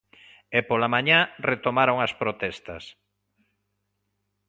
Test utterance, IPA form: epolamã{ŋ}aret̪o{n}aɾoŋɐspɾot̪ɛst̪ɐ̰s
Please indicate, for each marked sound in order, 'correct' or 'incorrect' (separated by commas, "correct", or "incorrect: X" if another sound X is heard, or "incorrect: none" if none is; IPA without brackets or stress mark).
incorrect: ɲ, incorrect: m